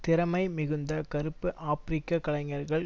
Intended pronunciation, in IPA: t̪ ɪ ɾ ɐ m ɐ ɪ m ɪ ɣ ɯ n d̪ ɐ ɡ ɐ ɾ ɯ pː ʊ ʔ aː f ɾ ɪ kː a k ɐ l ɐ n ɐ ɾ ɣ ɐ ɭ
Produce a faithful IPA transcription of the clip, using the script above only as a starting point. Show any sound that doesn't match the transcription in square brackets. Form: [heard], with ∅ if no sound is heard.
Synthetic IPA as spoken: t̪ ɪ ɾ ɐ m ɐ ɪ m ɪ ɣ ɯ n d̪ ɐ [k] ɐ ɾ ɯ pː [ɯ] ʔ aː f ɾ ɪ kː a k ɐ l ɐ [ŋ] ɐ ɾ ɣ ɐ ɭ